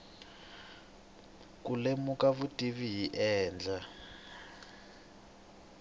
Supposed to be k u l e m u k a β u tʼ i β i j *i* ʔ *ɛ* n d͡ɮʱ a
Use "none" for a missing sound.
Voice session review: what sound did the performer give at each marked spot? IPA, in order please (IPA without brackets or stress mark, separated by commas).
i, ɛː